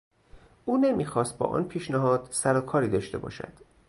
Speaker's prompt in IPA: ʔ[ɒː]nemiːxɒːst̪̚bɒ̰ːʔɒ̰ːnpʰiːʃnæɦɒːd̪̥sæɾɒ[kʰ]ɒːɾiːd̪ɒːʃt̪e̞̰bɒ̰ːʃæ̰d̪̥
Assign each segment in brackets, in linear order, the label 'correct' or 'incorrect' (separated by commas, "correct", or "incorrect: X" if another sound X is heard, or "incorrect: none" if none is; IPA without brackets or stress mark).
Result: incorrect: uː, correct